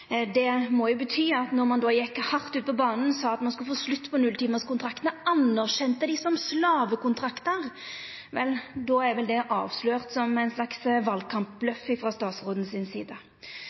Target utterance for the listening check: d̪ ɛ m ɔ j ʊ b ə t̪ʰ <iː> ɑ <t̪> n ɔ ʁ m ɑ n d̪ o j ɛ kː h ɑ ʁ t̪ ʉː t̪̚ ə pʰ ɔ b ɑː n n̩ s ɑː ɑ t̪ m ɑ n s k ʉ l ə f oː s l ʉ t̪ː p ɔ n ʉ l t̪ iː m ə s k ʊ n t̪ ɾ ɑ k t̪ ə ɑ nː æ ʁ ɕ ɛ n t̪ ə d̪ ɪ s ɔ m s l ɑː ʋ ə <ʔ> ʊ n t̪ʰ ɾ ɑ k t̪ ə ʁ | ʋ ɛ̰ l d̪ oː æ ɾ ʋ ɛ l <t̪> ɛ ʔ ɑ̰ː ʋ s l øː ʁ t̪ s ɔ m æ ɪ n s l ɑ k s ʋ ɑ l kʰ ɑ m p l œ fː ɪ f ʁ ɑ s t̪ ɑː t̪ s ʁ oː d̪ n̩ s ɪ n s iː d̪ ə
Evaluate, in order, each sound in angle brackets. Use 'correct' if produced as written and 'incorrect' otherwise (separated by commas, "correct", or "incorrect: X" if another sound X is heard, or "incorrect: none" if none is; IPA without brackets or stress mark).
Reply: incorrect: yː, correct, incorrect: k, incorrect: d̪